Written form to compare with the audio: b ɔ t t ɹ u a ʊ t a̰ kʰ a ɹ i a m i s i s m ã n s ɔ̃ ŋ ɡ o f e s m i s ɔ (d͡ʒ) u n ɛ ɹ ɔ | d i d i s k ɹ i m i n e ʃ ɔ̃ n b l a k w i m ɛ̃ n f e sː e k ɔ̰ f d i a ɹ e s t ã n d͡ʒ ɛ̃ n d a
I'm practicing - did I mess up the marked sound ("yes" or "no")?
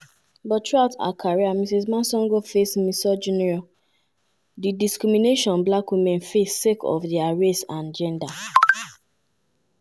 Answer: no